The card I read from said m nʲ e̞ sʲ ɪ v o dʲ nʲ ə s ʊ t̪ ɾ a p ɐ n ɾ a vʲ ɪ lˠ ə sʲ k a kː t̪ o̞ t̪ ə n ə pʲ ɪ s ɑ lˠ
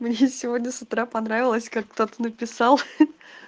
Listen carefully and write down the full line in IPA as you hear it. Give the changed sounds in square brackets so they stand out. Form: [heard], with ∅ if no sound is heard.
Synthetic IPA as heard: m nʲ e̞ sʲ ɪ v o dʲ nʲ ə s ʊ t̪ ɾ a p ɐ n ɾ a vʲ ɪ lˠ ə sʲ k a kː t̪ o̞ t̪ ə n ə pʲ ɪ s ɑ lˠ